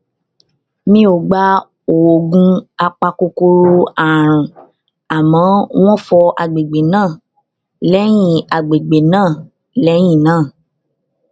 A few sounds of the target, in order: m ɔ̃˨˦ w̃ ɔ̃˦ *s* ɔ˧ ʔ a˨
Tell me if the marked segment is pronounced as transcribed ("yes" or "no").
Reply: no